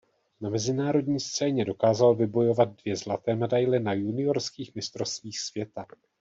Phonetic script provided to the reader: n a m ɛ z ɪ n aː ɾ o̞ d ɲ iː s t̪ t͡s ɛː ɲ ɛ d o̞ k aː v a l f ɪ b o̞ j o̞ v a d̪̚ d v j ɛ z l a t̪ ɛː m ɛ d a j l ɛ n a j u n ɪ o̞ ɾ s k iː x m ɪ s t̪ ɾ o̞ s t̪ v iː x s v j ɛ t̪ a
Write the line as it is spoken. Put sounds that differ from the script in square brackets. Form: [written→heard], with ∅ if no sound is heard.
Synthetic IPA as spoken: n a m ɛ z ɪ n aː ɾ o̞ d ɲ iː s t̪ t͡s ɛː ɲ ɛ d o̞ k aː [v→z] a l [f→v] ɪ b o̞ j o̞ v a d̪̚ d v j ɛ z l a t̪ ɛː m ɛ d a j l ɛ n a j u n ɪ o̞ ɾ s k iː x m ɪ s t̪ ɾ o̞ s t̪ v iː x s v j ɛ t̪ a